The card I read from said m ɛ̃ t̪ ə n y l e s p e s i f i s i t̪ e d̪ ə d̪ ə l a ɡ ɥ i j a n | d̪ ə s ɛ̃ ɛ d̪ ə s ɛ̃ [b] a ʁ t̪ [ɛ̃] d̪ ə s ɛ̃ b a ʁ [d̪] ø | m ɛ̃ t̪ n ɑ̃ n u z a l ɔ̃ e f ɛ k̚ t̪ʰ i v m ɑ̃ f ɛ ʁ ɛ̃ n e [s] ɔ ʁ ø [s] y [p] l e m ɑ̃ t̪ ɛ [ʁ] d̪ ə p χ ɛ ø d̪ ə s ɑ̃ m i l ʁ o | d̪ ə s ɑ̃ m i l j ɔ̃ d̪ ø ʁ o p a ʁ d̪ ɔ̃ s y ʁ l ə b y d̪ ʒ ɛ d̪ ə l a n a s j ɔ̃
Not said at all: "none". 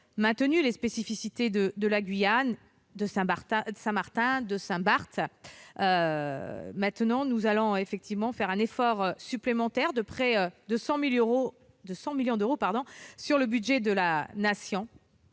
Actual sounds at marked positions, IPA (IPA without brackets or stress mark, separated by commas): m, ɛ̃, t̪, f, s, p, ʁ